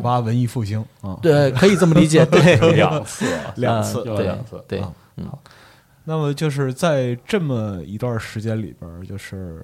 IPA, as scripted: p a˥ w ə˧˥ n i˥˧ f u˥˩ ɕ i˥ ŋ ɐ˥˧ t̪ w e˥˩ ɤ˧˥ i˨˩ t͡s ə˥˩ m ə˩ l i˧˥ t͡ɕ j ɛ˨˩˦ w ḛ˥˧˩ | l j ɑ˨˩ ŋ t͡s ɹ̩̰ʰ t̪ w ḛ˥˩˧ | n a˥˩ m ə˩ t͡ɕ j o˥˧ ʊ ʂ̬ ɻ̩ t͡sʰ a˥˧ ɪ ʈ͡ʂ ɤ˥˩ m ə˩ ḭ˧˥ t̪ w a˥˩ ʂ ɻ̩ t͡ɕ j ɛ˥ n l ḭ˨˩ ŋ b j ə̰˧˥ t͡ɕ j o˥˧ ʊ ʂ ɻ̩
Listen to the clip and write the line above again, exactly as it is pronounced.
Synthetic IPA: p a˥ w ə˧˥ n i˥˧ f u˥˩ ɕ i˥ ŋ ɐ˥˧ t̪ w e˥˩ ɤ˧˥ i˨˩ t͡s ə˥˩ m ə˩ l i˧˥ t͡ɕ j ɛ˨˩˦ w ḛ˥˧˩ | l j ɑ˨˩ ŋ t͡s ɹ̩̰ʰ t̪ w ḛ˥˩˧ | n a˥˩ m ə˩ t͡ɕ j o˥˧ ʊ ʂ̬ ɻ̩ t͡s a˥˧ ɪ ʈ͡ʂ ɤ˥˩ m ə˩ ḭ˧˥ t̪ w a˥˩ ʂ ɻ̩ t͡ɕ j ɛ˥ n l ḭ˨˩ b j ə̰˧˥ t͡ɕ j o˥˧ ʊ ʂ ɻ̩